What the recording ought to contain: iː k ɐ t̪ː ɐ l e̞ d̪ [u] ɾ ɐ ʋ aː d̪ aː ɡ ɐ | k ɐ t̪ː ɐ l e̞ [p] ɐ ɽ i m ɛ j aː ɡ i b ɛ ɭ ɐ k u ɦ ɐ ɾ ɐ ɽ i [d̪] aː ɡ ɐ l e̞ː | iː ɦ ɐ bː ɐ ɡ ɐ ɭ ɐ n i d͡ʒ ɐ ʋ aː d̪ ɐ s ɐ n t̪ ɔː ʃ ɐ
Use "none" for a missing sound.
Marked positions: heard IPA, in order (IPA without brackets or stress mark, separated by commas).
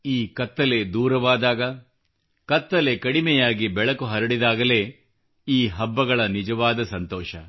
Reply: uː, k, d̪